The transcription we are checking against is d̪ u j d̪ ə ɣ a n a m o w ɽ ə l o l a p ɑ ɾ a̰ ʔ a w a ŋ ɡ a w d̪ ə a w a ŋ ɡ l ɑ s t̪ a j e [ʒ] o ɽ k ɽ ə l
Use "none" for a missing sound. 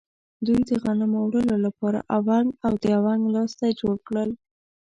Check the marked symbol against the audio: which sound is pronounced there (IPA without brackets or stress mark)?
d͡ʒ